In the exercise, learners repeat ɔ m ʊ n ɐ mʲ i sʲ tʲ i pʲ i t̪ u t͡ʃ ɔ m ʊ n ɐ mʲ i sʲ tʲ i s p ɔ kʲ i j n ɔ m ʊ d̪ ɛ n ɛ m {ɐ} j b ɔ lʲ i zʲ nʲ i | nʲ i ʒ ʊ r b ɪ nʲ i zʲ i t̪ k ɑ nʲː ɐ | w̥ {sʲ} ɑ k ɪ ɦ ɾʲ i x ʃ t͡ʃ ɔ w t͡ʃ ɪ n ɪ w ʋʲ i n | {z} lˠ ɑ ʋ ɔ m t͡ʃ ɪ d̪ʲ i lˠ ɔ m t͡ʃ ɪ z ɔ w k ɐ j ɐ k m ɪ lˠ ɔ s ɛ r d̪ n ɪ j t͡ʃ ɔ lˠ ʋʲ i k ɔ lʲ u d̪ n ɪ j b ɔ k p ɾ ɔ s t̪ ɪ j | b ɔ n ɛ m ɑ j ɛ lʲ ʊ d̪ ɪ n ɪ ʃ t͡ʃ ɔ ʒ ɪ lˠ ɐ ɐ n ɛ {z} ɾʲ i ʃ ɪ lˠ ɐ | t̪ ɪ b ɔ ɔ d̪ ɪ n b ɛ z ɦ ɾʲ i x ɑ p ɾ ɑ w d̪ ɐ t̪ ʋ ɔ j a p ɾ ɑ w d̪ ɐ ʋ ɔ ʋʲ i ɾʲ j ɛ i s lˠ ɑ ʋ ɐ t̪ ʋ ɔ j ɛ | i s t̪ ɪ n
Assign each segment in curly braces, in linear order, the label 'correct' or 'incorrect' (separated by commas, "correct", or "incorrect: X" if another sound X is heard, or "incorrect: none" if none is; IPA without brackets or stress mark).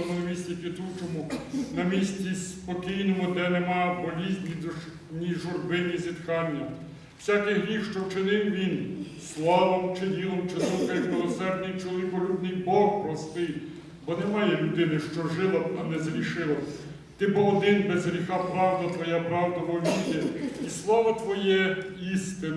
incorrect: ɑ, correct, incorrect: s, correct